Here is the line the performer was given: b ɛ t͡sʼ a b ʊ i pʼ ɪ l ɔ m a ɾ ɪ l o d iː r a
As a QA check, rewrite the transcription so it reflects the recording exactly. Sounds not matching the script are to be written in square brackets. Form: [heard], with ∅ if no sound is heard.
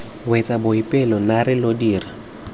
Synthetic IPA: [w] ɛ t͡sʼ a b ʊ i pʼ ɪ l ɔ [n] a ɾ ɪ l o d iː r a